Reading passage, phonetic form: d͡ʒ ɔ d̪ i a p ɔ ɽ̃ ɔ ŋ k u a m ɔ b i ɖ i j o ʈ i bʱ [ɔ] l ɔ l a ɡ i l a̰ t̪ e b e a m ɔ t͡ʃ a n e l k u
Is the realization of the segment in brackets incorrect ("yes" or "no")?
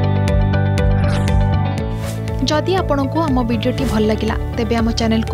no